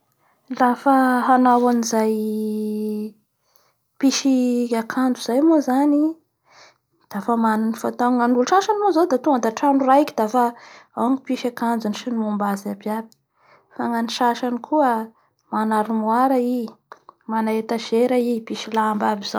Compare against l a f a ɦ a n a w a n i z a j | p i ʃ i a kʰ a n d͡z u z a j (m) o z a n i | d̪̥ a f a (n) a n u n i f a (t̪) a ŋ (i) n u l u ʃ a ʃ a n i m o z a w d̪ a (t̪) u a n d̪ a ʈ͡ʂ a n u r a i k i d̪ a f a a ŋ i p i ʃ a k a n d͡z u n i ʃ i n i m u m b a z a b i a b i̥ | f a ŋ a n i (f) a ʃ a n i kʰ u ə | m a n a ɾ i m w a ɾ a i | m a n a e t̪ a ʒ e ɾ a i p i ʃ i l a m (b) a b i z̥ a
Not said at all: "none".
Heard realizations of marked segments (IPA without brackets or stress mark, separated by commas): m, m, t̪, a, t̪, ʃ, b